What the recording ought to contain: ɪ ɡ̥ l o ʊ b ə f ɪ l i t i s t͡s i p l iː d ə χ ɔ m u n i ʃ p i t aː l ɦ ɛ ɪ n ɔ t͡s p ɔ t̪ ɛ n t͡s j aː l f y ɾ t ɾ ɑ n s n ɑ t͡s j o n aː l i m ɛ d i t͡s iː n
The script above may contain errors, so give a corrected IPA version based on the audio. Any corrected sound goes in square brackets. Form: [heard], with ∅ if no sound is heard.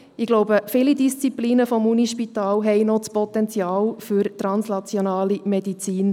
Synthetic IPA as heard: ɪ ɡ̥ l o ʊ b ə f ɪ l i [d] i s t͡s i p l iː [n] ə [f] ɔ m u n i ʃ p i t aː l ɦ ɛ ɪ n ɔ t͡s p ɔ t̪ ɛ n t͡s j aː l f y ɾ t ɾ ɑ n s n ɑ t͡s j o n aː l i m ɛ d i t͡s iː n